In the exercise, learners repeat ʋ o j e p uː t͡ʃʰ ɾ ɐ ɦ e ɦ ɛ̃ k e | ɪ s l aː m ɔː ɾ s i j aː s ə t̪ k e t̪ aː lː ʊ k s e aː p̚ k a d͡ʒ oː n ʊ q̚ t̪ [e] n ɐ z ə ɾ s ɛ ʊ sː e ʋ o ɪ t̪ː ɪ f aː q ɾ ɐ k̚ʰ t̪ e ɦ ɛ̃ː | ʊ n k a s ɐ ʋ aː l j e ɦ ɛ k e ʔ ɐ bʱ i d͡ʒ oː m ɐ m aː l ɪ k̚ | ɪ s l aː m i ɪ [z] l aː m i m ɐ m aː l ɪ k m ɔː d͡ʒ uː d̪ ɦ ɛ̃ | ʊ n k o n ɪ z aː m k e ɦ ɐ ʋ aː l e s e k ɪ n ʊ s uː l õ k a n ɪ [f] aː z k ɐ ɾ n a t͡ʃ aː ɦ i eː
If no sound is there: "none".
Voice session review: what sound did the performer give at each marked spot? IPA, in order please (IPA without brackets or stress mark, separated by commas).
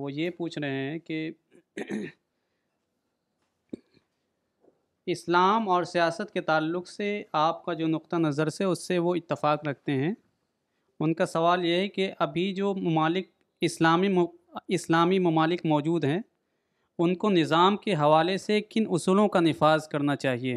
a, s, f